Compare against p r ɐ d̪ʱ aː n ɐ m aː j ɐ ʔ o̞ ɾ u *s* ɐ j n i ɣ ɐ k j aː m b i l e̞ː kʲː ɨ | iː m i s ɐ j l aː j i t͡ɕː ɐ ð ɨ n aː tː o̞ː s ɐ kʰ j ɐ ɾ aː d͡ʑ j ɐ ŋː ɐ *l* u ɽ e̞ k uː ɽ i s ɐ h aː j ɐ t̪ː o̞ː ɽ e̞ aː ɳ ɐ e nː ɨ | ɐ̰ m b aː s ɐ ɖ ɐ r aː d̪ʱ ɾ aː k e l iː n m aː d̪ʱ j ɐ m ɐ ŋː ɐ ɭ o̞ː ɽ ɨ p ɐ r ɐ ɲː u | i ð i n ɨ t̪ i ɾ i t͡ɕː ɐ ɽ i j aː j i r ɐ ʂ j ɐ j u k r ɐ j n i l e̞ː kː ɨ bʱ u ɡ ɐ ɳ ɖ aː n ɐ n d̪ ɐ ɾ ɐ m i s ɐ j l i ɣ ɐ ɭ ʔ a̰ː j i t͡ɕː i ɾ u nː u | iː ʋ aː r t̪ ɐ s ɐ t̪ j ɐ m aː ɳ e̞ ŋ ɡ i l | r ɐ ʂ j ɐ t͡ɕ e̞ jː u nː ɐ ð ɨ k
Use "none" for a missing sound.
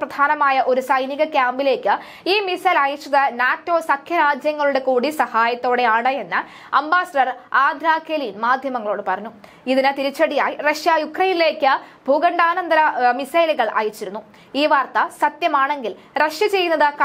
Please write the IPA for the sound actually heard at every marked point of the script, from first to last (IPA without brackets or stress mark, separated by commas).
s, ɭ